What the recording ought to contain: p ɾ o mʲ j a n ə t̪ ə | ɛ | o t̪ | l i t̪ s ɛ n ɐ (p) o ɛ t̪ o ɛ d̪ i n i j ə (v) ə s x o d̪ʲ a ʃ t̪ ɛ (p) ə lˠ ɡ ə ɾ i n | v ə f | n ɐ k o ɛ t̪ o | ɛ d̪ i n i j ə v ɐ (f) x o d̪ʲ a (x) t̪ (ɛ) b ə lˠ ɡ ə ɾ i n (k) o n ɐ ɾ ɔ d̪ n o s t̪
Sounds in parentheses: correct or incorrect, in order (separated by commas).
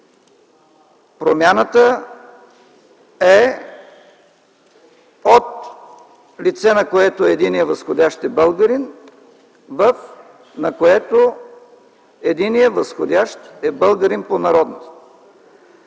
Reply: incorrect, correct, incorrect, incorrect, incorrect, correct, incorrect